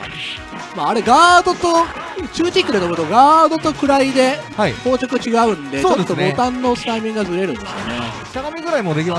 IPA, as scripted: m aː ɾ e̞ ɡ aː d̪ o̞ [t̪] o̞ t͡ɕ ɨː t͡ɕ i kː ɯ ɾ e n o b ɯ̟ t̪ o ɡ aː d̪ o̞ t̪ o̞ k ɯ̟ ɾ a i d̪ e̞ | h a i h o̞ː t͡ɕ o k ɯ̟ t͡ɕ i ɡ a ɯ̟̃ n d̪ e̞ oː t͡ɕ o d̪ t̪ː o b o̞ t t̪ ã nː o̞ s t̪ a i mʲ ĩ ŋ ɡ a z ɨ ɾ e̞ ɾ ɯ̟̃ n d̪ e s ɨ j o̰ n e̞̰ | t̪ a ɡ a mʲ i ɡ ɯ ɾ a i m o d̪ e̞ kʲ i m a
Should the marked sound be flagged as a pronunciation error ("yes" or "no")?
no